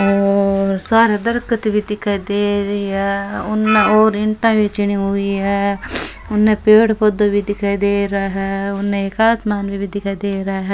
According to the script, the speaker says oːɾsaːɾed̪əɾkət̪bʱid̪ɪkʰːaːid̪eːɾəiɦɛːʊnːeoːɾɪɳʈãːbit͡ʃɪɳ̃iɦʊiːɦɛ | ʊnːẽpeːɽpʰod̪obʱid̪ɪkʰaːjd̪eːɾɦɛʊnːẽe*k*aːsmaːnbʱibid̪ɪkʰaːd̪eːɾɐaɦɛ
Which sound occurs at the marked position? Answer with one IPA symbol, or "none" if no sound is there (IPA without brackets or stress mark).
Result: k